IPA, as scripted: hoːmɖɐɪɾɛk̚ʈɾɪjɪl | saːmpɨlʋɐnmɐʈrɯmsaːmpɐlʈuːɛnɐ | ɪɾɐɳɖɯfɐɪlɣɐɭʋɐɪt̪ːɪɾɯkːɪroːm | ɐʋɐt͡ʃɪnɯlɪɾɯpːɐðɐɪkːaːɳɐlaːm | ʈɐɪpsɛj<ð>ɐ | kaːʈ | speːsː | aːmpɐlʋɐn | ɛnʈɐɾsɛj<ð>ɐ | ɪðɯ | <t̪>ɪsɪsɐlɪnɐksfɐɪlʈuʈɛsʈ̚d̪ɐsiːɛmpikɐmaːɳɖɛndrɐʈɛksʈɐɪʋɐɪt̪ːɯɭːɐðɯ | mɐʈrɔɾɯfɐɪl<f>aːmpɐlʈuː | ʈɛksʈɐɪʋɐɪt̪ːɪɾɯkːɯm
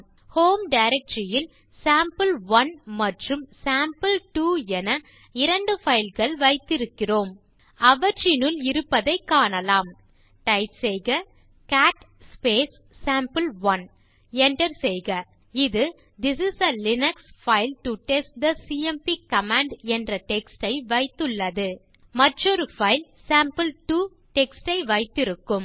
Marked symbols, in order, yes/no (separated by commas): no, no, no, no